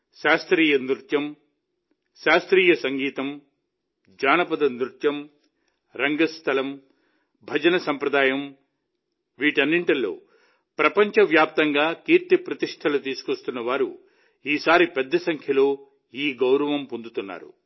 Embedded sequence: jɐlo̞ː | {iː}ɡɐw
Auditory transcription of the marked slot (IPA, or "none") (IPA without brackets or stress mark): iː